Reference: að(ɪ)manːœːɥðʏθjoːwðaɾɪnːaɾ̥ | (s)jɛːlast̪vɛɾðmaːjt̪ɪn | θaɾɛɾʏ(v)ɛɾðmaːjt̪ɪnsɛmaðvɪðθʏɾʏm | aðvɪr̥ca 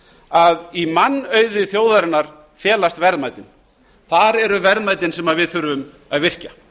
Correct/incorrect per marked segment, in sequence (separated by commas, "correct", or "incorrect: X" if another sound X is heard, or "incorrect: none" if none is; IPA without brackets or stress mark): incorrect: i, incorrect: f, correct